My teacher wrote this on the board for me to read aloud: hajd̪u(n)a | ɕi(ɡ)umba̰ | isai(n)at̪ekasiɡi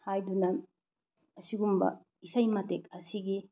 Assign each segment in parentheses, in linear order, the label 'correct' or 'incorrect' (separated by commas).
correct, correct, incorrect